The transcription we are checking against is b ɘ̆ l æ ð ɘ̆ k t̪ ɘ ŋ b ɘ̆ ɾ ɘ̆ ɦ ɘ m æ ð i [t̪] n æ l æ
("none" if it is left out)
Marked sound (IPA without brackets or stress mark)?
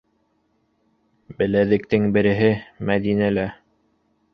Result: none